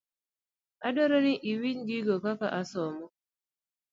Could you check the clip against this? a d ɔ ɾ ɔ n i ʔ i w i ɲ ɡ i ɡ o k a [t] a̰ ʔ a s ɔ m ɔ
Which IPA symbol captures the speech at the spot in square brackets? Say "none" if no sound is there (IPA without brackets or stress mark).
k